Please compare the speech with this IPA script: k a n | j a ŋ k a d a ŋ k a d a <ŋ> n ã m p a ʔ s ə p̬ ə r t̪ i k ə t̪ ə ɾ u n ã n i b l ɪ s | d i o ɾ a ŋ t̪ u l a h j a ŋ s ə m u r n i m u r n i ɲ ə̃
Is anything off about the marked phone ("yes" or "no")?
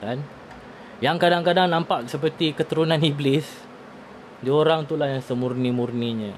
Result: no